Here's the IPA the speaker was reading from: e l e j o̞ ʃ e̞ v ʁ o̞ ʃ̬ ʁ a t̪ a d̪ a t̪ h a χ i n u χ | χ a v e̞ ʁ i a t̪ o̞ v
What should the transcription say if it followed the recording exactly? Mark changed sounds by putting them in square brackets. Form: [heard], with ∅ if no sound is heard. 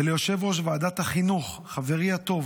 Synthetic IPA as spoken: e l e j o̞ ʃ e̞ v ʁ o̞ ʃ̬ [v] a [∅] a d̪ a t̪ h a χ i n u χ | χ a v e̞ ʁ i a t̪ o̞ v